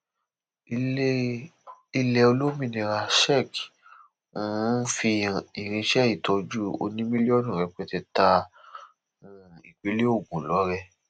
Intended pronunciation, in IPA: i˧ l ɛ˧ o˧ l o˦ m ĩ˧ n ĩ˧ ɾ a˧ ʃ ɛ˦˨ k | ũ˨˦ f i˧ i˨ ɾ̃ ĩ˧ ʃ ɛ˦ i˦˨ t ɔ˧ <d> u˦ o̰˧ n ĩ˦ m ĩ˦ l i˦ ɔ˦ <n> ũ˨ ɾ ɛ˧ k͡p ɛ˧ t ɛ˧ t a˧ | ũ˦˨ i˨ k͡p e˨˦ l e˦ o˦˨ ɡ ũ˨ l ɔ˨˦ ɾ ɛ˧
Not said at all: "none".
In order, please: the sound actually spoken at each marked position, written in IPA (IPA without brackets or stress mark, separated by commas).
d͡ʒ, n